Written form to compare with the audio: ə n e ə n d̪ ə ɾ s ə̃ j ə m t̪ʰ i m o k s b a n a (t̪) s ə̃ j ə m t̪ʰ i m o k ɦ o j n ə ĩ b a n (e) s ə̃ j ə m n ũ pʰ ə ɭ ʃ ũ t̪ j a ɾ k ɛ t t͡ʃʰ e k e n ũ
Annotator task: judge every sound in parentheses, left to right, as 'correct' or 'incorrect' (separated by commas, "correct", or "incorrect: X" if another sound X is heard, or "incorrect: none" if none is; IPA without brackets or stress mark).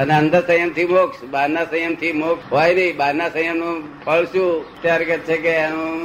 incorrect: none, incorrect: a